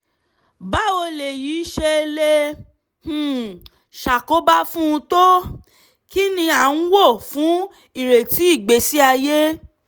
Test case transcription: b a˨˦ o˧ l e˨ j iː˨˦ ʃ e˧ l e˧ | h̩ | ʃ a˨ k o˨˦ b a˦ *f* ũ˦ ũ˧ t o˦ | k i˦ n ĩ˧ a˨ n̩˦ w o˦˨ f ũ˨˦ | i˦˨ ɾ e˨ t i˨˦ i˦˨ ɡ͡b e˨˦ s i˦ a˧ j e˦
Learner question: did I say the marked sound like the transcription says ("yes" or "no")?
yes